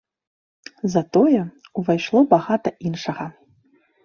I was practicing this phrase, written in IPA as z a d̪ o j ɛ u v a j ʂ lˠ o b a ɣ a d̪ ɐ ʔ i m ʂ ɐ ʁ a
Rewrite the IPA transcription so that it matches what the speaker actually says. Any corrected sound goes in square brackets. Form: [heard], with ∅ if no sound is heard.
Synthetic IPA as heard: z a [t̪] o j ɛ u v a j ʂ lˠ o b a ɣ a [t̪] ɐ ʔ i [n] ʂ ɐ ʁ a